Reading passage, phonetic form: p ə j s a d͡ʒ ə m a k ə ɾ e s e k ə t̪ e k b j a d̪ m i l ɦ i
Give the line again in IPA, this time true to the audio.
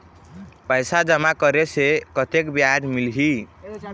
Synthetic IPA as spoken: p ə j s a d͡ʒ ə m a k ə ɾ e s e k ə t̪ e k b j a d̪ m i l ɦ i